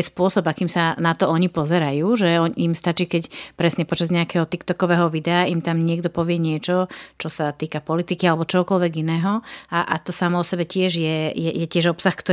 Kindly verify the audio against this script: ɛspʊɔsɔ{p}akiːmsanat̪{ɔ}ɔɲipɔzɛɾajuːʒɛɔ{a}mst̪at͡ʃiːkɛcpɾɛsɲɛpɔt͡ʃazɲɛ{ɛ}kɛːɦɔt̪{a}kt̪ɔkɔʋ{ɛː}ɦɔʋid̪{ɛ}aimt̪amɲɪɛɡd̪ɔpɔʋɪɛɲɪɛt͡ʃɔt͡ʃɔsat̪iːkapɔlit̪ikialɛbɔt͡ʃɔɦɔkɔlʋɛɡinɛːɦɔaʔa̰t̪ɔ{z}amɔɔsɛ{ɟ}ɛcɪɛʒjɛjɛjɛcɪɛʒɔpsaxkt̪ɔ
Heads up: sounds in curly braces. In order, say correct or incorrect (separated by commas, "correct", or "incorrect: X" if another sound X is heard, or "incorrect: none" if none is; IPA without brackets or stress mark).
incorrect: b, correct, incorrect: i, incorrect: a, incorrect: i, correct, correct, incorrect: s, incorrect: b